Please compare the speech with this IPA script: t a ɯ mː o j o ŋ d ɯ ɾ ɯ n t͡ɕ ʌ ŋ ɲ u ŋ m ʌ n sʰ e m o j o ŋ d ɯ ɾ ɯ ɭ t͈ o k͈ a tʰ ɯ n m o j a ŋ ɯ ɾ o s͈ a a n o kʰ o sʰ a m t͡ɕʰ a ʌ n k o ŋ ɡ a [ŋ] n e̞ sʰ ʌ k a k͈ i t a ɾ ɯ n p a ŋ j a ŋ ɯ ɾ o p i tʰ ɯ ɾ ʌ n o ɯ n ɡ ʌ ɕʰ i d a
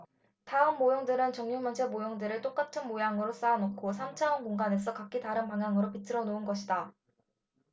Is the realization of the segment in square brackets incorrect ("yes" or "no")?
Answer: yes